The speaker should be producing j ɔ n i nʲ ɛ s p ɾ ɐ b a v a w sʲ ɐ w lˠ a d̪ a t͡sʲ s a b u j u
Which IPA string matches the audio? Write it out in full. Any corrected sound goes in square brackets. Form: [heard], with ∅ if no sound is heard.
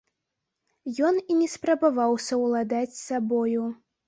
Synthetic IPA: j ɔ n i nʲ ɛ s p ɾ ɐ b a v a w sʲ ɐ w lˠ a d̪ a t͡sʲ s a b [ɔ] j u